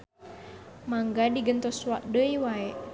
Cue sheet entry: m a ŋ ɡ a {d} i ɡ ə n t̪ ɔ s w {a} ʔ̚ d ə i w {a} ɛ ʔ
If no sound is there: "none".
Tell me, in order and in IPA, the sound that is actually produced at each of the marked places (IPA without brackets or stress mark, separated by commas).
d, a, a